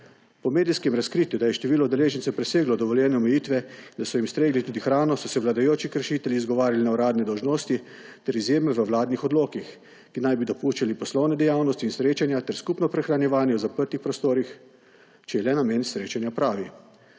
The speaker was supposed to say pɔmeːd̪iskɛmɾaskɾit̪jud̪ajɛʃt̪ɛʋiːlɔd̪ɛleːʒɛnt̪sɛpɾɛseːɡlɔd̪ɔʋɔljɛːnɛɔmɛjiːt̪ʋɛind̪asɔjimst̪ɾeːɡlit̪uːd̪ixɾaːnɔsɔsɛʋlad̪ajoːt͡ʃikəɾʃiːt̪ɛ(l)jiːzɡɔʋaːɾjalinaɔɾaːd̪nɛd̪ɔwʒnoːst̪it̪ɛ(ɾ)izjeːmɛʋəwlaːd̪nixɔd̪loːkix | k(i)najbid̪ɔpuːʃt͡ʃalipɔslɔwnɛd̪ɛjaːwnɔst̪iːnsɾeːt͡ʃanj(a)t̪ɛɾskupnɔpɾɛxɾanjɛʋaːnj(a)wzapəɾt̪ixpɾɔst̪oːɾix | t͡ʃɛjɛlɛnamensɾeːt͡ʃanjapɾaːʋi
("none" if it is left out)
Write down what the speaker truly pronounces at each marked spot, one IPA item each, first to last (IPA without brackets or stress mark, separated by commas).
l, ɾ, i, a, ɛ